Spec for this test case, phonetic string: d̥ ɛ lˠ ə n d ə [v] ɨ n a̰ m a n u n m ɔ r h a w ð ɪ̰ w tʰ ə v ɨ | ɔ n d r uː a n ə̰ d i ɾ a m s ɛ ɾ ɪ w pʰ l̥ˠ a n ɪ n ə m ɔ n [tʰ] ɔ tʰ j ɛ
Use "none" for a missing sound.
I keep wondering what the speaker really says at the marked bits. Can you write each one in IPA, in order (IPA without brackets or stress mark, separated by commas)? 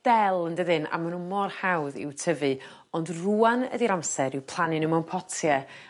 ð, pʰ